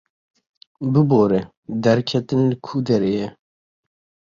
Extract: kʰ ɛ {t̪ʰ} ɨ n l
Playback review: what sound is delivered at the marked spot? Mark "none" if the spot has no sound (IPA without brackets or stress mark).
t̪